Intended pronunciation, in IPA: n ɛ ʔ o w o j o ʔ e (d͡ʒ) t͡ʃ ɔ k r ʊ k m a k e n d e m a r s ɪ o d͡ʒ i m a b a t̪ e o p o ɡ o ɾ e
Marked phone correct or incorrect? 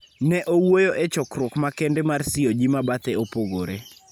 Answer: incorrect